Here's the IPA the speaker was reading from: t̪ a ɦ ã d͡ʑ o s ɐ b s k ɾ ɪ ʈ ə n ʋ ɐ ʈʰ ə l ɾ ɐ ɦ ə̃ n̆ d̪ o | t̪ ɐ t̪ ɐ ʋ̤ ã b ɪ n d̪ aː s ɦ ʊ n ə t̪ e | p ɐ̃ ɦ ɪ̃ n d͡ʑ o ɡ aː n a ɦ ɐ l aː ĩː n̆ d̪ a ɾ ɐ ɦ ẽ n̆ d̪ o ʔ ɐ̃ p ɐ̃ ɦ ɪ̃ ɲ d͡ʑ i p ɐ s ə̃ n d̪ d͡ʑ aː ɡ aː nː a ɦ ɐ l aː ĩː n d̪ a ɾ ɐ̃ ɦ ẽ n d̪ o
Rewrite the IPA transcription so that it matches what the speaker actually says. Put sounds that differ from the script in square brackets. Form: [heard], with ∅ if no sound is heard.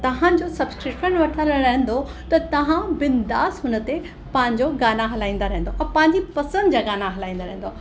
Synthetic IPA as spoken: t̪ [ɐ] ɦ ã d͡ʑ o s ɐ b s k ɾ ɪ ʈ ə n ʋ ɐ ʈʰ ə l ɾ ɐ ɦ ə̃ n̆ d̪ o | t̪ ɐ t̪ ɐ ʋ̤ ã b ɪ n d̪ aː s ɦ ʊ n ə t̪ e | p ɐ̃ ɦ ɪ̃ [ɲ] d͡ʑ o ɡ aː n a ɦ ɐ l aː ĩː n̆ d̪ a ɾ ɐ ɦ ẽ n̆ d̪ o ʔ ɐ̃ p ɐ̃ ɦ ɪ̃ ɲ d͡ʑ i p ɐ s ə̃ n d̪ d͡ʑ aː ɡ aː [n] a ɦ ɐ l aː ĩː n d̪ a ɾ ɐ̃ ɦ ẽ n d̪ o

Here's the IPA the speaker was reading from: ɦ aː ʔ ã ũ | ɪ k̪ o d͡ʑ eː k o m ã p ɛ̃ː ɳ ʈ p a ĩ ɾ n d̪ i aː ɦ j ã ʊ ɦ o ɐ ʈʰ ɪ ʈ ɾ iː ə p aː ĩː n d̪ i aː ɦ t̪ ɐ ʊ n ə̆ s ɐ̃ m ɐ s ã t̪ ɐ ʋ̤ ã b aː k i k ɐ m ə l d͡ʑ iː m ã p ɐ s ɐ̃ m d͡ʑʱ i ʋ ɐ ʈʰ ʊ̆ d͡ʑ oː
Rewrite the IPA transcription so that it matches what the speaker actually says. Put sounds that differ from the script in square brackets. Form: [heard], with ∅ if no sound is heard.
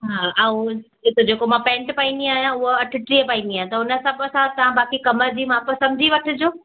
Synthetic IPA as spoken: ɦ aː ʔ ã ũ | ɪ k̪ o d͡ʑ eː k o m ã p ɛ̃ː ɳ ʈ p a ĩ [∅] n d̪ i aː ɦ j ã ʊ ɦ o ɐ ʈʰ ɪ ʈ ɾ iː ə p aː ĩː n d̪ i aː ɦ t̪ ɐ ʊ n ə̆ s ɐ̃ [b] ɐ s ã t̪ ɐ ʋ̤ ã b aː k i k ɐ m ə [ɾ] d͡ʑ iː m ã p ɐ s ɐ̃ m d͡ʑʱ i ʋ ɐ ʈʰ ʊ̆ d͡ʑ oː

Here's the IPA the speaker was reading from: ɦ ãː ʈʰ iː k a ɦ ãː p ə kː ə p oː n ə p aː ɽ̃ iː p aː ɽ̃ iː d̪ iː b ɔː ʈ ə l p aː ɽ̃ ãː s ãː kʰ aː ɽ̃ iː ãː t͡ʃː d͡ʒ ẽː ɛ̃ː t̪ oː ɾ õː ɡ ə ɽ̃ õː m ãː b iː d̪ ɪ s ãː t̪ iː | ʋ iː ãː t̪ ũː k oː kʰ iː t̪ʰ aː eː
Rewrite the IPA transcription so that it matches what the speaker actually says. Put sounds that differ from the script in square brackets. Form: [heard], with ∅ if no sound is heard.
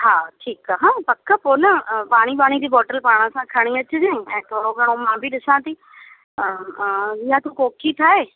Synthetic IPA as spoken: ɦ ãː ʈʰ iː k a ɦ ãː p ə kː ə p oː n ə p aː ɽ̃ iː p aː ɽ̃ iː d̪ iː b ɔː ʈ ə l p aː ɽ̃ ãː s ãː kʰ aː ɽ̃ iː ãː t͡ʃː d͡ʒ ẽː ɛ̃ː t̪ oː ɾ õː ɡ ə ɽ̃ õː m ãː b iː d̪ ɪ s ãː t̪ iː | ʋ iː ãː t̪ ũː k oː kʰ iː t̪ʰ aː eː

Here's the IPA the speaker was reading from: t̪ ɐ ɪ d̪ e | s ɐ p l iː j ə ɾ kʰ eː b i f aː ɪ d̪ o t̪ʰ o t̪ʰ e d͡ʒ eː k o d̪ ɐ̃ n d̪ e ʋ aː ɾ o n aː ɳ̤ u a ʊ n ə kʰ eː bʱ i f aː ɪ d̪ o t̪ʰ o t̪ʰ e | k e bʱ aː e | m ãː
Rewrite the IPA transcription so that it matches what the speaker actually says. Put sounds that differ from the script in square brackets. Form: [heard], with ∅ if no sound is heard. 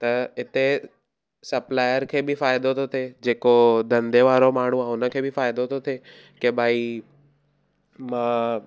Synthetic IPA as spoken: t̪ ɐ ɪ [t̪] e | s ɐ p l [aː] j ə ɾ kʰ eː b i f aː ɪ d̪ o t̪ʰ o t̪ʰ e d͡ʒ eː k o d̪ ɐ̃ n d̪ e ʋ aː ɾ o [m] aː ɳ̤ u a ʊ n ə kʰ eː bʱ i f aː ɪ d̪ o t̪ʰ o t̪ʰ e | k e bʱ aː [i] | m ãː

